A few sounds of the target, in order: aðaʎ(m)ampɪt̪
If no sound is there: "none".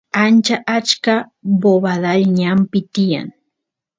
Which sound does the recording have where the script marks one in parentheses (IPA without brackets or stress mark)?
ɲ